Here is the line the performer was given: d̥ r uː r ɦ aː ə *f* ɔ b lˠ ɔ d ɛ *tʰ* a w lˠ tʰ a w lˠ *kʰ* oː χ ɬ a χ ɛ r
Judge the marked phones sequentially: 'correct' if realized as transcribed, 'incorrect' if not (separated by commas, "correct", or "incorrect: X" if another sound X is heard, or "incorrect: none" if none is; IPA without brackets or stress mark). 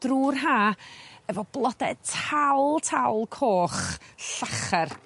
incorrect: v, correct, correct